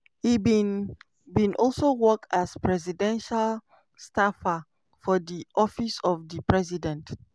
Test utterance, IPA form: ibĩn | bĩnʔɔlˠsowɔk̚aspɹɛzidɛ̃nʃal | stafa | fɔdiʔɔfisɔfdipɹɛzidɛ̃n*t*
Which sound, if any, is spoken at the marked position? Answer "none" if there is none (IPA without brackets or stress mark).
t